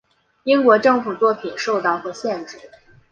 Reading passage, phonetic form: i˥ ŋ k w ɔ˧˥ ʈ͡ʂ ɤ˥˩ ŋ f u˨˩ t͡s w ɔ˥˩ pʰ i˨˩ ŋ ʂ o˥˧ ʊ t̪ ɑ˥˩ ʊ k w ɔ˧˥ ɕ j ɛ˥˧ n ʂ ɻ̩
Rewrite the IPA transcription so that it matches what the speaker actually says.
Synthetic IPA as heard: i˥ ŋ k w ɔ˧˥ ʈ͡ʂ ɤ˥˩ ŋ f u˨˩ t͡s w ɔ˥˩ pʰ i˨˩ n ʂ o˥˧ ʊ t̪ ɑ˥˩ ʊ x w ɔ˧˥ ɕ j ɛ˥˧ n ʈ͡ʂ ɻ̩